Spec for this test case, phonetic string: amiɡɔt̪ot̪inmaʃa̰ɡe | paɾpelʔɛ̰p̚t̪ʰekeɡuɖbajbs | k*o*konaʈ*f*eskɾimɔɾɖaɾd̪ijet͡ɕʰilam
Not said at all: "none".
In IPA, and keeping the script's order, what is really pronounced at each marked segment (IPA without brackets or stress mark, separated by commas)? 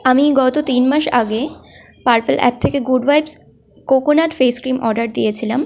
o, f